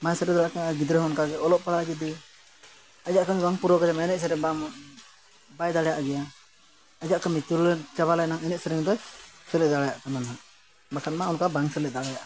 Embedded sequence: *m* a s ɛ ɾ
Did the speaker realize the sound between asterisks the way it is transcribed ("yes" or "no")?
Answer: yes